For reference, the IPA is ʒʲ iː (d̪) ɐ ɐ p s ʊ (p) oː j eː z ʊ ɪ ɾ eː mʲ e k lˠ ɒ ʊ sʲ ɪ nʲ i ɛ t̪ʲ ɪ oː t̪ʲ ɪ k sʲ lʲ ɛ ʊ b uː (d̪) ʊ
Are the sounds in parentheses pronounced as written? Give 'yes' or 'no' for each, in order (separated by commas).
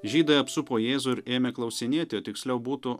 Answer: yes, yes, no